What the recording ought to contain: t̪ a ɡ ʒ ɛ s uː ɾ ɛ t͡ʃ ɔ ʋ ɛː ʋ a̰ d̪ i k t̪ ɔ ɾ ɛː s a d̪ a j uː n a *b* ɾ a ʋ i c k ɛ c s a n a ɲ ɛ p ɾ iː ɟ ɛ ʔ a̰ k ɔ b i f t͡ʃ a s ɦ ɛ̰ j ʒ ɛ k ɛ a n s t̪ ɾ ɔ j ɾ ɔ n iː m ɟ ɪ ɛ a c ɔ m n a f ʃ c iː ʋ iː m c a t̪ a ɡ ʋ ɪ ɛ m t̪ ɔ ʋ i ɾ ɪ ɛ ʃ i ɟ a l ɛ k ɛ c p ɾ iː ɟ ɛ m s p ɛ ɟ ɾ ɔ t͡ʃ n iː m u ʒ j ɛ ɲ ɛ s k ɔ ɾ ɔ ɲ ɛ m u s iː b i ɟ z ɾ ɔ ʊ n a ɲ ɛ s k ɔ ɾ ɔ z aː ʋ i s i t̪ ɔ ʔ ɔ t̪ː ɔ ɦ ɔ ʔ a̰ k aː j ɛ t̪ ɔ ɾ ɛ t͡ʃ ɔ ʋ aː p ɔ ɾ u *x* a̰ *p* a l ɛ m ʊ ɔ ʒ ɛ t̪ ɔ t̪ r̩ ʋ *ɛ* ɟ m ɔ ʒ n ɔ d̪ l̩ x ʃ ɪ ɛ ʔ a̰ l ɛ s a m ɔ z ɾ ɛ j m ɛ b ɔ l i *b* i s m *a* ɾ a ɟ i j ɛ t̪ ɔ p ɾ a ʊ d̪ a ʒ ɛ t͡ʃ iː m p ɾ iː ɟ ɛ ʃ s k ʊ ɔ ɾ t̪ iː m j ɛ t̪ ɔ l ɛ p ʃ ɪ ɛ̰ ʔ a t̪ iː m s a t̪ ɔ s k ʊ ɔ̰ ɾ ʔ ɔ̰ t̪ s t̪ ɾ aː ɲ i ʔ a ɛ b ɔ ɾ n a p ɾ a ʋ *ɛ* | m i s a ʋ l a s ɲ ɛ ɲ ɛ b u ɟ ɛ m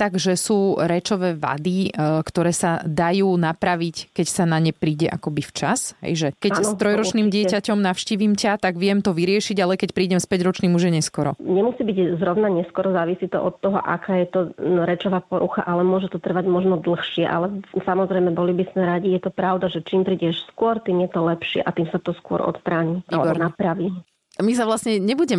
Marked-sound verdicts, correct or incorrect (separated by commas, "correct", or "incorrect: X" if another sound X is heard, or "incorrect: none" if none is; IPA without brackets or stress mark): incorrect: p, correct, incorrect: ʔ, incorrect: a, correct, incorrect: ɛ, incorrect: i